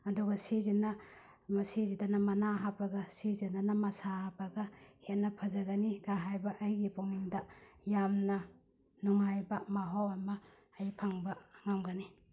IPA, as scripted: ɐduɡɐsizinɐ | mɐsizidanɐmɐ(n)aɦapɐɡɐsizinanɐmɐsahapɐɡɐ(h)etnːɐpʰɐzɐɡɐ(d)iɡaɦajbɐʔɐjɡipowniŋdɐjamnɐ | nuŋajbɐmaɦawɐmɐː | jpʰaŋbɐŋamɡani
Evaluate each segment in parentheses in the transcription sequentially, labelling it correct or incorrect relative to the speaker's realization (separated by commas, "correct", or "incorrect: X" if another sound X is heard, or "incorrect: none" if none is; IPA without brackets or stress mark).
correct, correct, incorrect: n